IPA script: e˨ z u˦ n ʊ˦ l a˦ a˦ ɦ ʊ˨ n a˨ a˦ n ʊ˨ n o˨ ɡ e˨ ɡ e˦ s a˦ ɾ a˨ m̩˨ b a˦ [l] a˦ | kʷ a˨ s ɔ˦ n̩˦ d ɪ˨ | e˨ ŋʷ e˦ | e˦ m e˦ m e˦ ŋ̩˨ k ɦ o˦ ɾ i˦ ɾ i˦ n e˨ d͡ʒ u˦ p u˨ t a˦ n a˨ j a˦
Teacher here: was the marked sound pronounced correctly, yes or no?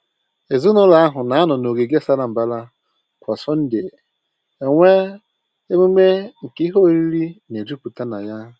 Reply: yes